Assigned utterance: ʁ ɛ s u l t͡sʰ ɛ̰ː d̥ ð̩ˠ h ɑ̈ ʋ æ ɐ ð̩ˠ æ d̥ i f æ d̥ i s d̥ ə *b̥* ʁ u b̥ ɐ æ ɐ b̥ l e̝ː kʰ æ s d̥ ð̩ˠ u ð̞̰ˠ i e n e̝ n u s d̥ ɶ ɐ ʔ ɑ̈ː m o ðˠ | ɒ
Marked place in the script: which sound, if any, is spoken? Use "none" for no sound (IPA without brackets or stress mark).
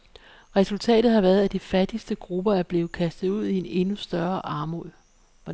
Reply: ɡ̥